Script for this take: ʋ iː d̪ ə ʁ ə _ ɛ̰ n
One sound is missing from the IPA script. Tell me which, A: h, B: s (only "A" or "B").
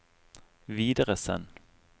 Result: B